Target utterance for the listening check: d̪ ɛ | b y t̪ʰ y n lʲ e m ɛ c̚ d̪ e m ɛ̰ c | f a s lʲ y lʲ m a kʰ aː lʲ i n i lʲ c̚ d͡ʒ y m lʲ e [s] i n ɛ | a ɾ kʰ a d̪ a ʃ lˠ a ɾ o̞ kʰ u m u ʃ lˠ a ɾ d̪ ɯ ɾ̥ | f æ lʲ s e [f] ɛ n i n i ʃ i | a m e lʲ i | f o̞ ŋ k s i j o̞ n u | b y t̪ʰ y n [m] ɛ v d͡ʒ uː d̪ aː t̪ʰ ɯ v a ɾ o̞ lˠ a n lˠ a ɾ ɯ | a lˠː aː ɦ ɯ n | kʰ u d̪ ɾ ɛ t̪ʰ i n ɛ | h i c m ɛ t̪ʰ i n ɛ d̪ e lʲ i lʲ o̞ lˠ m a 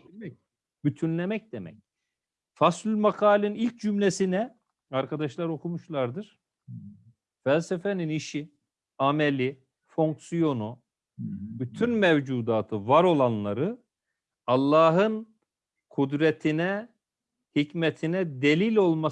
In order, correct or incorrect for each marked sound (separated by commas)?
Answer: correct, correct, correct